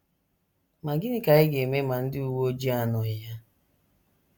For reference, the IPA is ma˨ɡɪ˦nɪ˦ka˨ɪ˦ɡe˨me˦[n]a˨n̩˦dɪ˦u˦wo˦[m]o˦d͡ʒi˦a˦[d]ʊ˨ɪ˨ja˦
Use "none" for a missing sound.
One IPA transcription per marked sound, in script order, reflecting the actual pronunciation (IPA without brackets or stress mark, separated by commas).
m, none, n